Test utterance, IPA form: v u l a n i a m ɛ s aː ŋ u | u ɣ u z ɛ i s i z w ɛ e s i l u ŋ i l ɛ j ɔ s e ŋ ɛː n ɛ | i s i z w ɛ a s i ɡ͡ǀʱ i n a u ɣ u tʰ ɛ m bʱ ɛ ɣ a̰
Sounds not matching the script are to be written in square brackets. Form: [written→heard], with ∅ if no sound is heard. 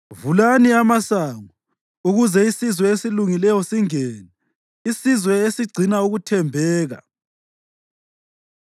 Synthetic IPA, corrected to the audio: v u l a n i a m [ɛ→a] s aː ŋ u | u ɣ u z ɛ i s i z w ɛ e s i l u ŋ i l ɛ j ɔ s [e→i] ŋ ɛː n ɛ | i s i z w ɛ [a→e] s i ɡ͡ǀʱ i n a u ɣ u tʰ ɛ m bʱ [ɛ→ɛː] ɣ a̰

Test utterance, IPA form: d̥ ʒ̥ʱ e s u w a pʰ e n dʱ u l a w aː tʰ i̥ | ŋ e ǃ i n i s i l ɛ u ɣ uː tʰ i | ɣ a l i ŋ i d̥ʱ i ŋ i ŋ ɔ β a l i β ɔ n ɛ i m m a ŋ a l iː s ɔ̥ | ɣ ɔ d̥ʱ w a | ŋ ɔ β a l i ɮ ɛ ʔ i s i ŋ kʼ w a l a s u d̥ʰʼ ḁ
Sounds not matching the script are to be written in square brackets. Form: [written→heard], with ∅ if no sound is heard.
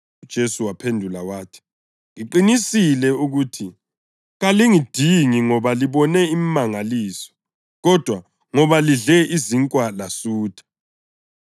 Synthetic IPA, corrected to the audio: d̥ ʒ̥ʱ e s u w a pʰ e n dʱ u l a w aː tʰ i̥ | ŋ [e→i] ǃ i n i s i l ɛ u ɣ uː tʰ i | ɣ a l i ŋ i d̥ʱ i ŋ i ŋ ɔ β a l i β ɔ n ɛ i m m a ŋ a l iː s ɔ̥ | ɣ ɔ d̥ʱ w a | ŋ ɔ β a l i ɮ ɛ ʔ i [s→z] i ŋ kʼ w a l a s [u→uː] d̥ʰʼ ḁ

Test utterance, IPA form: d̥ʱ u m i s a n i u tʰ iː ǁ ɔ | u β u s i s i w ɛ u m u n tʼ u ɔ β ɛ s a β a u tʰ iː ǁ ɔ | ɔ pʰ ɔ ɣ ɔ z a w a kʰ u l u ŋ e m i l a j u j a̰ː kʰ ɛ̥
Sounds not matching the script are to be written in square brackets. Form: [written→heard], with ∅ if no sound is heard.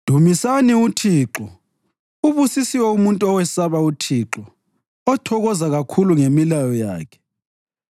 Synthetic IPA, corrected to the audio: d̥ʱ u m i s a n i u tʰ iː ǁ ɔ | u β u s i s i w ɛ u m u n tʼ u ɔ [β→w] ɛ s a β a u tʰ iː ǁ ɔ | ɔ [pʰ→tʰ] ɔ ɣ ɔ z a [w→ɣ] a kʰ u l u ŋ e m i l a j [u→ɔ] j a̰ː kʰ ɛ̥

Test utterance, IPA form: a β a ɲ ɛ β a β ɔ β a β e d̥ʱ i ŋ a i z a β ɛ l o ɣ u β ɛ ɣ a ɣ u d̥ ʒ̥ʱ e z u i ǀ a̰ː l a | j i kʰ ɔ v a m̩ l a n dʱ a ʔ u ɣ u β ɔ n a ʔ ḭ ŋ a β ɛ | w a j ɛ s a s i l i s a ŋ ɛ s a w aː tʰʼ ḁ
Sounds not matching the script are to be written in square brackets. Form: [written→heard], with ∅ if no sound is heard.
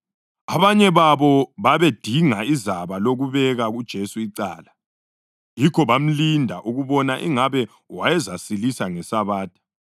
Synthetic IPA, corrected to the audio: a β a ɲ ɛ β a β ɔ β a β e d̥ʱ i ŋ a i z a β [ɛ→a] l o ɣ u β ɛ ɣ a ɣ u d̥ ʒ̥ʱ e [z→s] u i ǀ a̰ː l a | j i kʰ ɔ [v→β] a m̩ l [a→i] n dʱ a ʔ u ɣ u β ɔ n a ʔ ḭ ŋ a β ɛ | w a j ɛ [s→z] a s i l i s a ŋ ɛ s a [w→β] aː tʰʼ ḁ

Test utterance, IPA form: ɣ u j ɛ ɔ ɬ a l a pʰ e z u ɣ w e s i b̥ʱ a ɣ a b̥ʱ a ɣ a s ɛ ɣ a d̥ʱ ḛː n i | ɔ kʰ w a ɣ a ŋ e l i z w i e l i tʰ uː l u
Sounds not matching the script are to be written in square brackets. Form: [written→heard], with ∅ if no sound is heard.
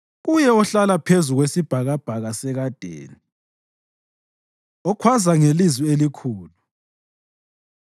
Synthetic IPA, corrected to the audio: ɣ u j ɛ ɔ ɬ a l a pʰ e z u ɣ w e s i b̥ʱ a ɣ a b̥ʱ a ɣ a s ɛ ɣ a d̥ʱ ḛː n i | ɔ kʰ w a [ɣ→z] a ŋ e l i z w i e l i [tʰ→kʰ] uː l u

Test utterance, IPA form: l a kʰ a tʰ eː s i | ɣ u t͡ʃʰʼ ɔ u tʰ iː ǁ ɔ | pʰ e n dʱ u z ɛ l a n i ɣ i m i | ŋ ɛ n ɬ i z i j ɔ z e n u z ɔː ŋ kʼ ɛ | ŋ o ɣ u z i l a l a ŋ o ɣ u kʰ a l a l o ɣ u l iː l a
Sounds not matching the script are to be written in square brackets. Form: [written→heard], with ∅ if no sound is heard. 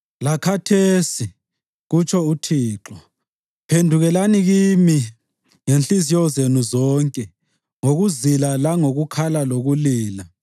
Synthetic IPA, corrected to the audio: l a kʰ a tʰ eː s i | ɣ u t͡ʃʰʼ ɔ u tʰ iː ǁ ɔ | pʰ e n dʱ u [z→ɣ] ɛ l a n i ɣ i m i | ŋ [ɛ→e] n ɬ i z i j ɔ z e n u z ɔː ŋ kʼ ɛ | ŋ o ɣ u z i l a l a ŋ o ɣ u kʰ a l a l o ɣ u l iː l a

